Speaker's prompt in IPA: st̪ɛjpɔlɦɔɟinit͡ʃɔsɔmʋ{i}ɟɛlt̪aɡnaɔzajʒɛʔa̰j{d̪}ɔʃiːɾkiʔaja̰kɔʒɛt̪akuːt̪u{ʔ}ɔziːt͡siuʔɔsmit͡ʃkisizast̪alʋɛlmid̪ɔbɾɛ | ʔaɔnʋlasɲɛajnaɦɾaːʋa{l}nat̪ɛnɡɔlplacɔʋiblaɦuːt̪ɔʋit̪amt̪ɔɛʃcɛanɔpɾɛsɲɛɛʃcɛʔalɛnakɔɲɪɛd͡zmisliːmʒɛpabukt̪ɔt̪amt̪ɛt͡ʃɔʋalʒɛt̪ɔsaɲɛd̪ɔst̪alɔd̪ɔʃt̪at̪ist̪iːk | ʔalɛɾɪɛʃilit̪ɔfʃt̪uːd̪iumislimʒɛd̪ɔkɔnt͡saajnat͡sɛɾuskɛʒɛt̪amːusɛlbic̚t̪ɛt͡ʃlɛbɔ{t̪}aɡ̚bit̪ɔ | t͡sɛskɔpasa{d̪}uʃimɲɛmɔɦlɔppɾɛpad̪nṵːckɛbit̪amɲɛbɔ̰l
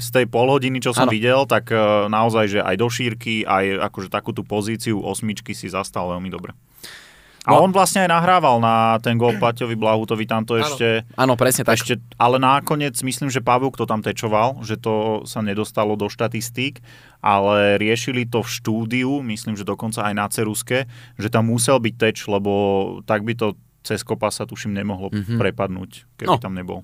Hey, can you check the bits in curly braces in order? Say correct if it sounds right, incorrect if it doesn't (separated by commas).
correct, correct, incorrect, correct, correct, incorrect